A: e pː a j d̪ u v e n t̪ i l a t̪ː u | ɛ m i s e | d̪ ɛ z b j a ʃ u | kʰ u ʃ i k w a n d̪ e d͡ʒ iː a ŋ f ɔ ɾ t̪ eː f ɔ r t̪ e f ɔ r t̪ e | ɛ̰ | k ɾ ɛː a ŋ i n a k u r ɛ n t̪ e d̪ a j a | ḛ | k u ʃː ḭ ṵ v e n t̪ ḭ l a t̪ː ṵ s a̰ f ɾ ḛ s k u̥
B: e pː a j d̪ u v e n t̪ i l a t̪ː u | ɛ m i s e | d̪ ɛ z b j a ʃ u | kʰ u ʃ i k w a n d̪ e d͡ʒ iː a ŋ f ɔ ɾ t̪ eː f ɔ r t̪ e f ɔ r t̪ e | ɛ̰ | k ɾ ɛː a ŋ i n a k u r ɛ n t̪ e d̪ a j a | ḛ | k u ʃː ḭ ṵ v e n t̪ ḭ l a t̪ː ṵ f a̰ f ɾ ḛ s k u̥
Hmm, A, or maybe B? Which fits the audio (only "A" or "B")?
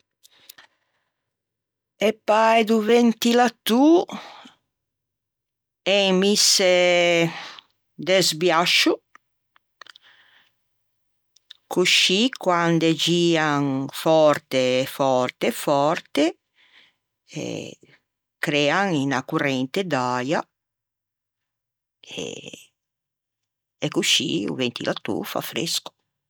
B